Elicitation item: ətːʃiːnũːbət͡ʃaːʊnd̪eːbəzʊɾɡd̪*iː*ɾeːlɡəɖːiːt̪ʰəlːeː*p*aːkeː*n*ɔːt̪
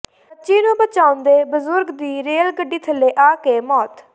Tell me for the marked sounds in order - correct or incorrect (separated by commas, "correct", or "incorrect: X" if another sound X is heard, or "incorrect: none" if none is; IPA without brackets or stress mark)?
correct, incorrect: ʔ, incorrect: m